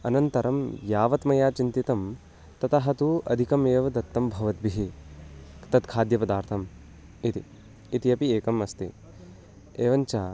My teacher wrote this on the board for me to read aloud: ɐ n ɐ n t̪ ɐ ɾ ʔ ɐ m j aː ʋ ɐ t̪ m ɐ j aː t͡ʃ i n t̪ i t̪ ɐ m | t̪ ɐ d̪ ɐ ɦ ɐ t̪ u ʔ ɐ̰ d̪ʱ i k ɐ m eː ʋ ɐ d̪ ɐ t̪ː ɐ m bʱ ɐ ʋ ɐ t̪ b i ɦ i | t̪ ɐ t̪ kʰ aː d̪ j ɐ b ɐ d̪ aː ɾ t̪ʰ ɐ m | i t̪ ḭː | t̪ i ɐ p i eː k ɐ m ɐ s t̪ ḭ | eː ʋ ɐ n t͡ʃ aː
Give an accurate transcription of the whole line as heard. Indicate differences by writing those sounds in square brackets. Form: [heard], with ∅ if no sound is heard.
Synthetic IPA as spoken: ɐ n ɐ n t̪ ɐ ɾ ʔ ɐ m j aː ʋ ɐ t̪ m ɐ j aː t͡ʃ i n t̪ i t̪ ɐ m | t̪ ɐ [t̪] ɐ ɦ ɐ t̪ u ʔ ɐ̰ d̪ʱ i k ɐ m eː ʋ ɐ d̪ ɐ t̪ː ɐ m bʱ ɐ ʋ ɐ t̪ b i ɦ i | t̪ ɐ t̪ kʰ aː d̪ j ɐ [p] ɐ d̪ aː ɾ t̪ʰ ɐ m | i t̪ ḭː | t̪ i ɐ p i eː k ɐ m ɐ s t̪ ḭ | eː ʋ ɐ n t͡ʃ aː